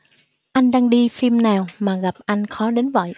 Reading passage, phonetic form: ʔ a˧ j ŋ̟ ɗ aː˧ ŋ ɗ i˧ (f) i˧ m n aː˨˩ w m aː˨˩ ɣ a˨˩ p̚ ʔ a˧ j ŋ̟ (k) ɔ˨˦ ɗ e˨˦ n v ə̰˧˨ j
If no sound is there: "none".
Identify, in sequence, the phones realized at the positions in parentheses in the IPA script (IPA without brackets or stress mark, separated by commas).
f, x